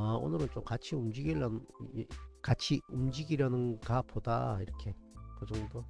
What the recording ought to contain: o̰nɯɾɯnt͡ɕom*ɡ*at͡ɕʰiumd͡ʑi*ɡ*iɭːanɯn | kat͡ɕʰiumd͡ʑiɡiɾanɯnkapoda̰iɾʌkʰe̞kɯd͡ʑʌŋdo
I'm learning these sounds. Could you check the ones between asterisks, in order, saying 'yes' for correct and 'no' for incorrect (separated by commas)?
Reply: no, yes